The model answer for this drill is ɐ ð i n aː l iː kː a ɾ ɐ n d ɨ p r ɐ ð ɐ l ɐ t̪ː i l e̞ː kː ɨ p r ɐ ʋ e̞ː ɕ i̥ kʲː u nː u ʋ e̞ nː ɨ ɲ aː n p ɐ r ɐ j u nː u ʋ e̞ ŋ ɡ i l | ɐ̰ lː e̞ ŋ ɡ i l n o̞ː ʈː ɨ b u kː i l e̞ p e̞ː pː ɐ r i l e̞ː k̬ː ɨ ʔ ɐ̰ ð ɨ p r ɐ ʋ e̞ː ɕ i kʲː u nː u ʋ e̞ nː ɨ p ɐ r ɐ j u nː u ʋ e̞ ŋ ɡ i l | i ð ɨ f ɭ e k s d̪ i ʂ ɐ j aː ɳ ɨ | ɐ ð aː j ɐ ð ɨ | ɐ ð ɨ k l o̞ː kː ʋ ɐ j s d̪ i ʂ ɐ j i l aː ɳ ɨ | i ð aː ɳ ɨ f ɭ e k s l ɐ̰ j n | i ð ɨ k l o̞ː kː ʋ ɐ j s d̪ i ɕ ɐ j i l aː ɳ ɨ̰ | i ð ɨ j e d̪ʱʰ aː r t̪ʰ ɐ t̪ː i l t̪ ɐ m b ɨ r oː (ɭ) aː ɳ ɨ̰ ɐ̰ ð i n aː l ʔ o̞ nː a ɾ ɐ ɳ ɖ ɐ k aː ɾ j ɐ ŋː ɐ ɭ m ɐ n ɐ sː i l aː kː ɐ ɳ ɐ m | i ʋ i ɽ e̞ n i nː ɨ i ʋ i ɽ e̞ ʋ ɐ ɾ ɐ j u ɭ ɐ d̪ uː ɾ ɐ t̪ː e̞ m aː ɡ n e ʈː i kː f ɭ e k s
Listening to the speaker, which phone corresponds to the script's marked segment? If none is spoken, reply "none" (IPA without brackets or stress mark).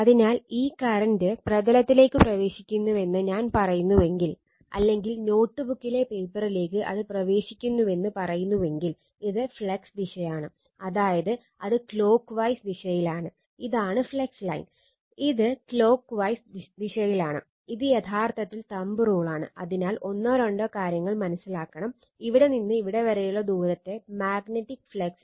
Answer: ɭ